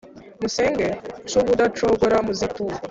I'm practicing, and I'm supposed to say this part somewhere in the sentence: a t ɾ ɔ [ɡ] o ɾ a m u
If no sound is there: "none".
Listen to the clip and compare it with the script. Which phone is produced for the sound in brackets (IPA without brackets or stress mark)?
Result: ɡ